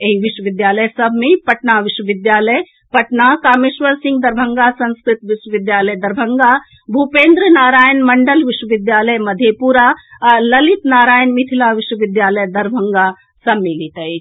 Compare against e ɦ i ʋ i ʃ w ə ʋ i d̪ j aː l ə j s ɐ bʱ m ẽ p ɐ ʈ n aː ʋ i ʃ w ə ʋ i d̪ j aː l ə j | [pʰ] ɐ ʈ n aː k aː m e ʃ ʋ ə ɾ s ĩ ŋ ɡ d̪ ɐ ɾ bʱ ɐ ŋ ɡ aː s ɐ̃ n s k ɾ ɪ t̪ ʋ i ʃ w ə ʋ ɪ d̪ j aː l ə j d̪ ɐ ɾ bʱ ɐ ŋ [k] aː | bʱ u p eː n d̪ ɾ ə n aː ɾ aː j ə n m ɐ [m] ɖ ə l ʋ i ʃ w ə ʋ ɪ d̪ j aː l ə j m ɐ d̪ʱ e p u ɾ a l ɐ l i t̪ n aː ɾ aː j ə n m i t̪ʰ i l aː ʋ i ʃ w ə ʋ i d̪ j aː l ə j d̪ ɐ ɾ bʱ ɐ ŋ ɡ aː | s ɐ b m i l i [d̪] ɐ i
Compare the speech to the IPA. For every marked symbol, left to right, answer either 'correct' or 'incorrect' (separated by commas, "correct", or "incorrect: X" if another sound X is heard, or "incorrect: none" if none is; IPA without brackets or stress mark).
incorrect: p, incorrect: ɡ, incorrect: ɳ, incorrect: t̪